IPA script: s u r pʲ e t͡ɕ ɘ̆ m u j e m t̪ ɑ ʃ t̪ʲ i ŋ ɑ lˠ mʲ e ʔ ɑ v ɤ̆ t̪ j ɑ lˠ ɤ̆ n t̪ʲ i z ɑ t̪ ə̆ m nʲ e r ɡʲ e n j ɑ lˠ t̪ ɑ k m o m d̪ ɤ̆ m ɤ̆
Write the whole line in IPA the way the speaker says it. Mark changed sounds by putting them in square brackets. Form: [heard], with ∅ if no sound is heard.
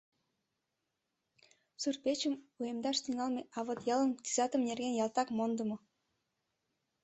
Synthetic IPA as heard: s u r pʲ e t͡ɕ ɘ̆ m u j e m [d̪] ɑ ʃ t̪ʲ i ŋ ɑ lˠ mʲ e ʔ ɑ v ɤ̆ t̪ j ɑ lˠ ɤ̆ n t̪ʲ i z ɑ t̪ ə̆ m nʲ e r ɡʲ e n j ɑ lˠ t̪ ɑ k m o [n] d̪ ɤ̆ m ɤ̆